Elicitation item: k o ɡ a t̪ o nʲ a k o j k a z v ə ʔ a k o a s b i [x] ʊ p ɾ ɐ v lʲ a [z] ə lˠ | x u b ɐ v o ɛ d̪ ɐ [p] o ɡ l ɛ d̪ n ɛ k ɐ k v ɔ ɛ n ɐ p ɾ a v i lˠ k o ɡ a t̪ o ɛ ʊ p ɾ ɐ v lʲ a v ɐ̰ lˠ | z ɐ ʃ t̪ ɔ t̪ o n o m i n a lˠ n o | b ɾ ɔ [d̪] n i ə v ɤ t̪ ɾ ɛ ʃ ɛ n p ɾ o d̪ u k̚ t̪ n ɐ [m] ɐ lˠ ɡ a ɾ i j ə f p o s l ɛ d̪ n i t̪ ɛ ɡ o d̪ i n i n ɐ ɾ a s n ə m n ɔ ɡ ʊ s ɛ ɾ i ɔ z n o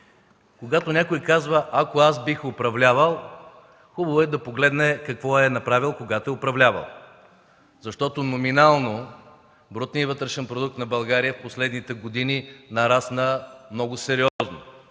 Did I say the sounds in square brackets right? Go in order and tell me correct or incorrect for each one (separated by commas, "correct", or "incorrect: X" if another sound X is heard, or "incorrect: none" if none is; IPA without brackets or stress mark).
correct, incorrect: v, correct, incorrect: t̪, incorrect: b